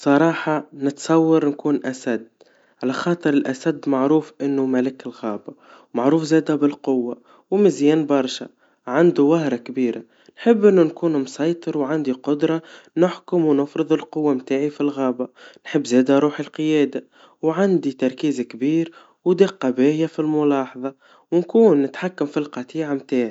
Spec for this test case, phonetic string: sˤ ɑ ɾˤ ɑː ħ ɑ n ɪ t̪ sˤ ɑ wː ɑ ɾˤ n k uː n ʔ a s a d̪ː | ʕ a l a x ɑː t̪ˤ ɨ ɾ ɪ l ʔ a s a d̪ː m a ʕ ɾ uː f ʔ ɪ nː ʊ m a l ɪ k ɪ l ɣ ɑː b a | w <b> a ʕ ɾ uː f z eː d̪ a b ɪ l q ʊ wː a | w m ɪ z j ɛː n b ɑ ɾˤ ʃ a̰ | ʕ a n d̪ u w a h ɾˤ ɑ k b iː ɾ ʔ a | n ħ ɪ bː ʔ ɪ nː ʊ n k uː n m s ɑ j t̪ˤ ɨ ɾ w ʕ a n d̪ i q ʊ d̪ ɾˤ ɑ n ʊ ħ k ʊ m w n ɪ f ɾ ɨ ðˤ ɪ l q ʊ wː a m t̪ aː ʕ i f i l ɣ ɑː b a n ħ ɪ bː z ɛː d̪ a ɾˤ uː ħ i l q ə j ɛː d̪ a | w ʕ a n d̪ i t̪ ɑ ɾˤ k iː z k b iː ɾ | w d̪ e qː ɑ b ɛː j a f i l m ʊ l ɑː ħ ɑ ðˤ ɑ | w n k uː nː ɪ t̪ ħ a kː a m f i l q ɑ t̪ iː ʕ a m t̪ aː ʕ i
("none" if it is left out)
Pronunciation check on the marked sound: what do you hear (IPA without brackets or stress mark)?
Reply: m